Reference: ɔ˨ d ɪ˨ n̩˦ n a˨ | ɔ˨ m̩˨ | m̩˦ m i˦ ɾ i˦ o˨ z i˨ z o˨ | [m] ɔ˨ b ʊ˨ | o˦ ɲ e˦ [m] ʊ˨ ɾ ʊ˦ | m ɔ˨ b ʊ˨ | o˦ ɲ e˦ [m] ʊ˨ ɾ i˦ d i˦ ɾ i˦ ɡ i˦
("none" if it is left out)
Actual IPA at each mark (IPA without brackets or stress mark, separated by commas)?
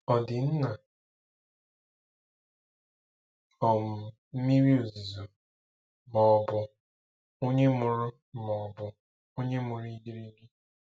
m, m, m